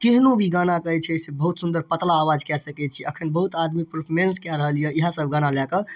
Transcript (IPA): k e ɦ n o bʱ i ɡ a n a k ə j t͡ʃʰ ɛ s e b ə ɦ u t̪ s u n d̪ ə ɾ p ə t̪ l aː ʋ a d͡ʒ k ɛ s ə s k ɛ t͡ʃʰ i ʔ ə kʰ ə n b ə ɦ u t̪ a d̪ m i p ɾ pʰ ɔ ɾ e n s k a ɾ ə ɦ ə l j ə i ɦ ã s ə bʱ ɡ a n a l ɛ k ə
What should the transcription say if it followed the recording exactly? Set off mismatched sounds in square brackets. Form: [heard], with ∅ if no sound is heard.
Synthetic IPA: k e ɦ n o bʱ i ɡ a n a k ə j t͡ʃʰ ɛ s e b ə ɦ u t̪ s u n d̪ ə ɾ p ə t̪ l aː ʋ a d͡ʒ k ɛ s ə [∅] k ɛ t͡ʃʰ i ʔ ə kʰ ə n b ə ɦ u t̪ a d̪ m i p ɾ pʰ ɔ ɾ e n s k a ɾ ə ɦ ə l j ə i ɦ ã s ə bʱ ɡ a n a l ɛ k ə

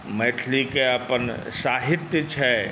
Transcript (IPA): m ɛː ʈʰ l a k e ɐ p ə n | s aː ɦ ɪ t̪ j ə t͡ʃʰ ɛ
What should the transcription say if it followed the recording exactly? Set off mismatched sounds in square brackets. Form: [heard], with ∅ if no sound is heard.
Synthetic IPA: m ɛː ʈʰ l [i] k e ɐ p ə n | s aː ɦ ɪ t̪ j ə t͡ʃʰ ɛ

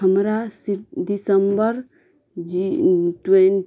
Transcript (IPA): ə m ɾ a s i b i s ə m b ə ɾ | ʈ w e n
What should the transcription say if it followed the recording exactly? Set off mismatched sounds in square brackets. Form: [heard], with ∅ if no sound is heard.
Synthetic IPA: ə m ɾ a s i [d] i s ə m b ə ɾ | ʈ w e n

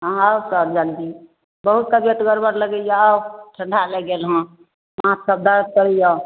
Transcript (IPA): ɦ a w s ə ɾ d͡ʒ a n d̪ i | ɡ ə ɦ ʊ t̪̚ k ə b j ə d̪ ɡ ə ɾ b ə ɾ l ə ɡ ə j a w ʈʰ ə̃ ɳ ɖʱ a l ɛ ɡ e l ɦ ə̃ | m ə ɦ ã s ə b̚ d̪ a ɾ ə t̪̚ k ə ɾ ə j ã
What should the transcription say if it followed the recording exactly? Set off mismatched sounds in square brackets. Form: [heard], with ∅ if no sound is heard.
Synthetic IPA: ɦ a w s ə ɾ d͡ʒ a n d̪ i | [b] ə ɦ [u] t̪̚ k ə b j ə [t̪] ɡ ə ɾ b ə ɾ l ə ɡ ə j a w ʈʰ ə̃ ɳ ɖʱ a l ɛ ɡ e l ɦ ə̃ | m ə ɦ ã s ə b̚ d̪ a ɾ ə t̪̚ k ə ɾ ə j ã

